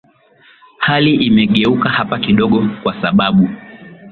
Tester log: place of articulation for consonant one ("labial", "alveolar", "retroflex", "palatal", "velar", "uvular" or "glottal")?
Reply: glottal